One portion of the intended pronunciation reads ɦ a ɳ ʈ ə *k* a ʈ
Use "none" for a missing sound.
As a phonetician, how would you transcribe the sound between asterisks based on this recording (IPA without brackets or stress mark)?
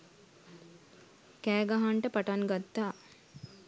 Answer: p